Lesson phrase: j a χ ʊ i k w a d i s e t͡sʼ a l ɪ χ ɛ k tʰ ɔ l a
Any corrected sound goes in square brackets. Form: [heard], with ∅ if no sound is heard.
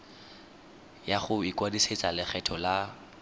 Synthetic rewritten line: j a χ ʊ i k w a d i s e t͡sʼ a l ɪ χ ɛ [∅] tʰ ɔ l a